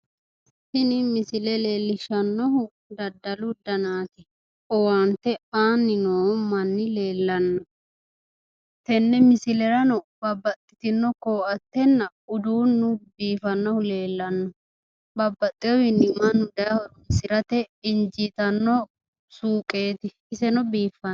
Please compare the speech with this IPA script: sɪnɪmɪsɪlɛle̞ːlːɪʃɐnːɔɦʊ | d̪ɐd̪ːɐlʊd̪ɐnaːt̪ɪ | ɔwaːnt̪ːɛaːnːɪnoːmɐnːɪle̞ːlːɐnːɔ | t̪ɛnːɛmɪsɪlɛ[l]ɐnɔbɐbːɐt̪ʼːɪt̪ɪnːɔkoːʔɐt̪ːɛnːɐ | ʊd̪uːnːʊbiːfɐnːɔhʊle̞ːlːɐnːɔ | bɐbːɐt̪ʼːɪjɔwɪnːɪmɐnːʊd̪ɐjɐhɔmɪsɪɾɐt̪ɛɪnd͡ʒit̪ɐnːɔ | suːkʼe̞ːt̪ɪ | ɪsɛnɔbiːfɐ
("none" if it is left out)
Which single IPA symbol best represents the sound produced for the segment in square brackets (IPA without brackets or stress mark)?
ɾ